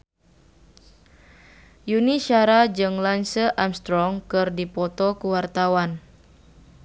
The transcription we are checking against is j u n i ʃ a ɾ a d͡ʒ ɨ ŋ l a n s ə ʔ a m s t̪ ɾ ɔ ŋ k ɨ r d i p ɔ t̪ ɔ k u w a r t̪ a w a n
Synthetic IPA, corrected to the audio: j u n i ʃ a ɾ a d͡ʒ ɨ ŋ l a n s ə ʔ a m s t̪ ɾ ɔ ŋ k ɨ r d i p ɔ t̪ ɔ k u w a r t̪ a w a n